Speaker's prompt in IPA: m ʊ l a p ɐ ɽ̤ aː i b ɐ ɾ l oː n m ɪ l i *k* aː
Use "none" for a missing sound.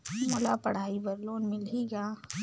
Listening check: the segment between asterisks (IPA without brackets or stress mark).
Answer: ɡ